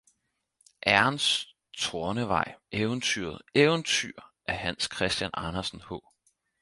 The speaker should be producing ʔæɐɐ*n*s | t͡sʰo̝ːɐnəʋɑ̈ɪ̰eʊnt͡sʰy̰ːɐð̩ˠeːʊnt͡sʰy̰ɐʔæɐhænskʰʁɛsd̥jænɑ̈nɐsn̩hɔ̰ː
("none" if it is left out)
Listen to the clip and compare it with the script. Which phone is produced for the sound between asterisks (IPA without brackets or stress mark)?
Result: n